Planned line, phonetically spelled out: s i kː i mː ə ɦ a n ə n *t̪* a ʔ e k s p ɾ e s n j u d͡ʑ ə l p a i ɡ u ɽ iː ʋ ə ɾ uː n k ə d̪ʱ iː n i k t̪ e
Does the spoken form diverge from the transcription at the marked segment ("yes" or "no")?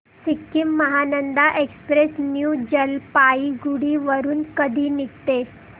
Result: yes